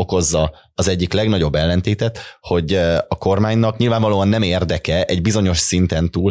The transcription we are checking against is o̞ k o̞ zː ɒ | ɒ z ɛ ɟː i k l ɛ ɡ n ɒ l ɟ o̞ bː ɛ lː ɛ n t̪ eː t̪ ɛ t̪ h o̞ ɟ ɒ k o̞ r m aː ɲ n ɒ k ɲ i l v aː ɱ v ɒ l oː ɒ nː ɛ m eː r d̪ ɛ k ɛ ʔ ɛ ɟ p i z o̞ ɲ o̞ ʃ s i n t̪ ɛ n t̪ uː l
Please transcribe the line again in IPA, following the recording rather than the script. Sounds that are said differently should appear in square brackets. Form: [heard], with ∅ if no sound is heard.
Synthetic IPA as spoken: o̞ k o̞ zː ɒ | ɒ z ɛ ɟː i k l ɛ ɡ n ɒ [∅] ɟ o̞ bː ɛ lː ɛ n t̪ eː t̪ ɛ t̪ h o̞ ɟ ɒ k o̞ r m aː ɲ n ɒ k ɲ i l v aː ɱ v ɒ l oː ɒ nː ɛ m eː r d̪ ɛ k ɛ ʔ ɛ ɟ [b] i z o̞ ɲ o̞ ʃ s i n t̪ ɛ n t̪ uː l